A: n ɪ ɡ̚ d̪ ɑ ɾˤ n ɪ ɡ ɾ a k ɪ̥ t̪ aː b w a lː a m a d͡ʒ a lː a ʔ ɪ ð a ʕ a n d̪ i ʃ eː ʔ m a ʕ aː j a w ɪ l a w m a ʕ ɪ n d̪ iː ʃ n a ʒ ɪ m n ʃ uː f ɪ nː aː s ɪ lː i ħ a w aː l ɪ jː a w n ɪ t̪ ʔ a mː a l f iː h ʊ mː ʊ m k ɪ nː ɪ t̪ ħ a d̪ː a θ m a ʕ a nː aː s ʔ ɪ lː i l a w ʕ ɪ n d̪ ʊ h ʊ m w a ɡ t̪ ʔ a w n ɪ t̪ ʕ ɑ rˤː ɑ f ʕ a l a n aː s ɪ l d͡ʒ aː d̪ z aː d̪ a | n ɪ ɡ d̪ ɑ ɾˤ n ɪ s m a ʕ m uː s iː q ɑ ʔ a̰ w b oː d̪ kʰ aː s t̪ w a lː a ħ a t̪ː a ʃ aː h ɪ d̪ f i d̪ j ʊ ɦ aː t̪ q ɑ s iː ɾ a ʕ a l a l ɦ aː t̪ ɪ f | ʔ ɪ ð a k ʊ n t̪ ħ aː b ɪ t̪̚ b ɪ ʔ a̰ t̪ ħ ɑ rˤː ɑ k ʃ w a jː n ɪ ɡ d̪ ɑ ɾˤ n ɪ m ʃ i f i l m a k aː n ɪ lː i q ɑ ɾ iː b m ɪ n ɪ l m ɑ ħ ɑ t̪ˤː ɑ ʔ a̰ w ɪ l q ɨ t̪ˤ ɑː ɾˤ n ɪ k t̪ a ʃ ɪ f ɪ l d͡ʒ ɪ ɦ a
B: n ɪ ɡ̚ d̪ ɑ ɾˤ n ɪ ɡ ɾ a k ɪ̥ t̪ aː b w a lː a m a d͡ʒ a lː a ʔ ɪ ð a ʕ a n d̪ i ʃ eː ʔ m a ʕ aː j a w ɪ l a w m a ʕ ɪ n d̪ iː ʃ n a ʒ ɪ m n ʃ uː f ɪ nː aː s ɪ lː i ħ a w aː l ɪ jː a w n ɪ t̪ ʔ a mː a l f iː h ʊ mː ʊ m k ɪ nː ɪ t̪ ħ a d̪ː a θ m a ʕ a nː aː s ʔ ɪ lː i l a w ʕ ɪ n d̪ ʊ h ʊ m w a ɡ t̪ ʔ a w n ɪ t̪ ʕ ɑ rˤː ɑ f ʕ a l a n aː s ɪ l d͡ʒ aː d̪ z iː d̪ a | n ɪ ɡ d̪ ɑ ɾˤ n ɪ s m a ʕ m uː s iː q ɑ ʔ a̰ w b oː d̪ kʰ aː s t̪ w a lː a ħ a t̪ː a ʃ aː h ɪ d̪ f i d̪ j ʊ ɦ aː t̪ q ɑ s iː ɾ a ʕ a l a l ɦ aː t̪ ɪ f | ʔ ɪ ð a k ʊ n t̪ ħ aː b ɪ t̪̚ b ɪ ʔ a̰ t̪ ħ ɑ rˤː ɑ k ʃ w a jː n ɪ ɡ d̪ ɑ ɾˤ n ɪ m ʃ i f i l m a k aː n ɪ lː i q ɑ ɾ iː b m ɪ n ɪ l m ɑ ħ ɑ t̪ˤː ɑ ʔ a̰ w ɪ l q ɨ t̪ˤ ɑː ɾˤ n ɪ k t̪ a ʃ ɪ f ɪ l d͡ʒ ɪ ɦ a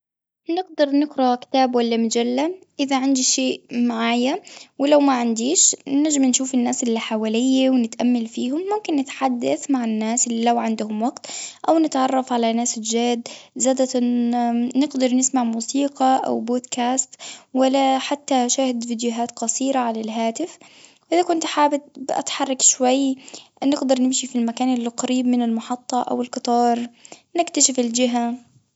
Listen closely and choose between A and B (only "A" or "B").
A